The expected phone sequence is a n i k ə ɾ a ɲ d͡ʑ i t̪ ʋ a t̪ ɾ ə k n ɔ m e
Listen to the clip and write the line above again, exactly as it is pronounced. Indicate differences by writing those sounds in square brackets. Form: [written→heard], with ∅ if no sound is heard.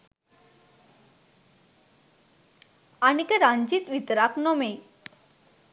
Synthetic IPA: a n i k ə ɾ a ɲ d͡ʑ i t̪ ʋ [a→i] t̪ ɾ [ə→a] k n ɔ m e